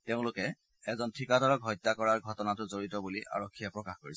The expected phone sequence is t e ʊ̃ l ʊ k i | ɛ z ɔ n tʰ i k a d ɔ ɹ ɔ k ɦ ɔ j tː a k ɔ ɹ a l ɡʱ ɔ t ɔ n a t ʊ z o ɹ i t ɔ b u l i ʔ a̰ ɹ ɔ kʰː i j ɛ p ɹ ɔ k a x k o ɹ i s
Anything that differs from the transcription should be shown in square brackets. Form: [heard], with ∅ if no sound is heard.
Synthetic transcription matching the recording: t e ʊ̃ l ʊ k [ɛ] | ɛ z ɔ n tʰ i k a d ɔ ɹ ɔ k ɦ ɔ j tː a k ɔ ɹ a [ɹ] ɡʱ ɔ t ɔ n a t ʊ z o ɹ i t ɔ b u l i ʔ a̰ ɹ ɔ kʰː i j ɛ p ɹ ɔ k a x k o ɹ i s